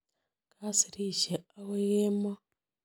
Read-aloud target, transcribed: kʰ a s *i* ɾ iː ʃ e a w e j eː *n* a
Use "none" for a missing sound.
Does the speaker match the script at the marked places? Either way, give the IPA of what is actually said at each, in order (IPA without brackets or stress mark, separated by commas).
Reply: i, m